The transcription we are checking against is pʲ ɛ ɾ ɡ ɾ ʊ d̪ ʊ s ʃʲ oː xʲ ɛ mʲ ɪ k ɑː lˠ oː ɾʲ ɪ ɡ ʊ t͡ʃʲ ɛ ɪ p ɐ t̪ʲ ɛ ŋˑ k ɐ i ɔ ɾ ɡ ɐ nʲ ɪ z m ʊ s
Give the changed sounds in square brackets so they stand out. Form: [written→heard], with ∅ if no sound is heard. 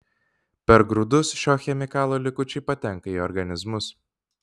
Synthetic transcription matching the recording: pʲ ɛ ɾ ɡ ɾ ʊ d̪ ʊ s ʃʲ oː xʲ ɛ mʲ ɪ k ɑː lˠ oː [ɾʲ→lʲ] ɪ [ɡ→k] ʊ t͡ʃʲ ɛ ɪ p ɐ t̪ʲ ɛ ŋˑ k ɐ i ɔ ɾ ɡ ɐ nʲ ɪ z m ʊ s